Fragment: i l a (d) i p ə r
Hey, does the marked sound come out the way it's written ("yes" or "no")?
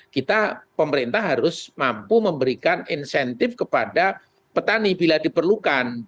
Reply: yes